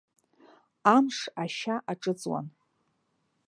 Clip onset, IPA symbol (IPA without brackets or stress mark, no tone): a